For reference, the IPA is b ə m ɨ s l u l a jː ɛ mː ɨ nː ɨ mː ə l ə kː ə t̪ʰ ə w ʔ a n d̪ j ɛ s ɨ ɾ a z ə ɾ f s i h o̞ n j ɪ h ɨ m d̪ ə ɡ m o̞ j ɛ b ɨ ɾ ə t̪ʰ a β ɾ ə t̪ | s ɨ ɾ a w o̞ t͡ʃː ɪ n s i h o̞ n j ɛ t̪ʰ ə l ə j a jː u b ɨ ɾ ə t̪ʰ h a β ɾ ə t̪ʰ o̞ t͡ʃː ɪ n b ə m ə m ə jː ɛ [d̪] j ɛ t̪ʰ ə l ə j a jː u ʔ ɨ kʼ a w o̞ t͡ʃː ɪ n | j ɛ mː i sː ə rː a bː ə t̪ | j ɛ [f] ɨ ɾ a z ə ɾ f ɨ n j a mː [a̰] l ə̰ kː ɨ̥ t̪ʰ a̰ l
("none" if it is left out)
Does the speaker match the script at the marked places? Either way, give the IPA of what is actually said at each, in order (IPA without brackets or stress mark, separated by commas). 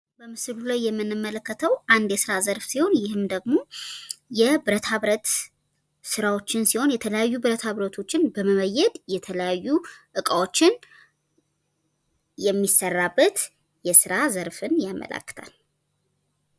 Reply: d̪, s, ə̰